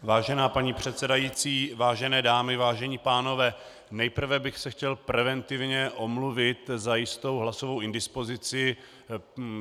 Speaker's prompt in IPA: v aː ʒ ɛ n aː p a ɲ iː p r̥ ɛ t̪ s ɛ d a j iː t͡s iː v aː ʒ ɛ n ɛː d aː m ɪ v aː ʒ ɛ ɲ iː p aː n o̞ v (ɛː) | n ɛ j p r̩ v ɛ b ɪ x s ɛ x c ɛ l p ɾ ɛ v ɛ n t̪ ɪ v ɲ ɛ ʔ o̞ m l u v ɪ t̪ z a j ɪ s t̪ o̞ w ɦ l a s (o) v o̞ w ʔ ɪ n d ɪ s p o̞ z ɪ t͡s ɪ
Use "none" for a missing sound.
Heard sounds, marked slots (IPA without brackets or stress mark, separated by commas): ɛː, o